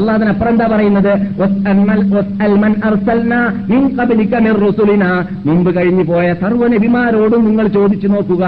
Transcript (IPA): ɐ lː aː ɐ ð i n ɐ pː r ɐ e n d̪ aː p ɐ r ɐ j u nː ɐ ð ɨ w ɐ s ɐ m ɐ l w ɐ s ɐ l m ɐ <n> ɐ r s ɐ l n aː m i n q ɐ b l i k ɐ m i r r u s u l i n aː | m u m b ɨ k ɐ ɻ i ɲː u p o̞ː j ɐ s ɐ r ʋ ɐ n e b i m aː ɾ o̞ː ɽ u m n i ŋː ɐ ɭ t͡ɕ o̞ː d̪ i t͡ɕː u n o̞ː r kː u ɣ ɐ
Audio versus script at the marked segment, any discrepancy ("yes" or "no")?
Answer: no